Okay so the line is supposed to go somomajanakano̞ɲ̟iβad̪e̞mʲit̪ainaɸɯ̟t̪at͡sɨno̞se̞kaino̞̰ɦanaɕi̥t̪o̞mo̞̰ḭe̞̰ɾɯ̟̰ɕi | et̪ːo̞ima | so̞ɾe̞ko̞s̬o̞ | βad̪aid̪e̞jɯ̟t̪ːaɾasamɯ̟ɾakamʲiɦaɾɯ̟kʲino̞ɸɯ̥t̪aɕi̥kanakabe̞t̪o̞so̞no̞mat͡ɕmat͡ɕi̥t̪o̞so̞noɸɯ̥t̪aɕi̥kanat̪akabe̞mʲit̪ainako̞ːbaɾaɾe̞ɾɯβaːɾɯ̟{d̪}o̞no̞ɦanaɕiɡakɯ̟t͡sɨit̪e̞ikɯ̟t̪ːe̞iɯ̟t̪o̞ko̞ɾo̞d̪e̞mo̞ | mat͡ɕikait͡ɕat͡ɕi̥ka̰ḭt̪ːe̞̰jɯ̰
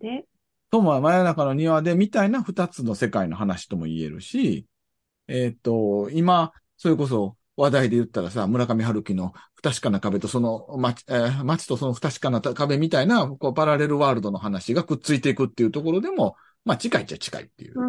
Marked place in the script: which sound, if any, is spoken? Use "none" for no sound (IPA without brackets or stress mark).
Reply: d̪